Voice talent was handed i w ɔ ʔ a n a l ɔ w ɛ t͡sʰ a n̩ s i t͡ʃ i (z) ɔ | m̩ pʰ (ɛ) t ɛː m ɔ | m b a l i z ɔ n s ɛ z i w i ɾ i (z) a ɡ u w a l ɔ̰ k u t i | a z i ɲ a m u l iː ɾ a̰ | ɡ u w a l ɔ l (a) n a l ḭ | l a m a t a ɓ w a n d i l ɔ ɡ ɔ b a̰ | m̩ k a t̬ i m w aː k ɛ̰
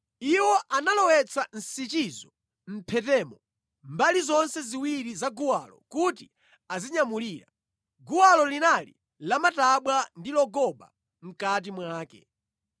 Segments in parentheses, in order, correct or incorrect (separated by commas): correct, correct, correct, incorrect